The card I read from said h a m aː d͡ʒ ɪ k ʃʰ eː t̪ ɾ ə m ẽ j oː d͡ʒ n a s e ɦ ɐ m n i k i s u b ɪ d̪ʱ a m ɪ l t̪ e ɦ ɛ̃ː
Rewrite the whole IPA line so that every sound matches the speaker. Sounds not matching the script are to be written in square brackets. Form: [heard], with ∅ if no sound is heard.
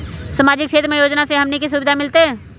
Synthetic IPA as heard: [s] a m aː d͡ʒ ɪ k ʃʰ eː t̪ ɾ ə m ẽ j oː d͡ʒ n a s e ɦ ɐ m n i k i s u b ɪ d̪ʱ a m ɪ l t̪ e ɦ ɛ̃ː